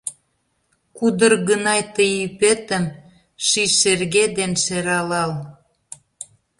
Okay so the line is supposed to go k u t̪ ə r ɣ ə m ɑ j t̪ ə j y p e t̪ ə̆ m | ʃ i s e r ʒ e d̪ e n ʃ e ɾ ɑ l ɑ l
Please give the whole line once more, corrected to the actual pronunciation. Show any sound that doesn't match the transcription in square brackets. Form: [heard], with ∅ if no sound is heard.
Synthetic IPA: k u [d̪] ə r ɣ ə [n] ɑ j t̪ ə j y p e t̪ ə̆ m | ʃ i [ʃ] e r [ɣ] e d̪ e n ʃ e ɾ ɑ l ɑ l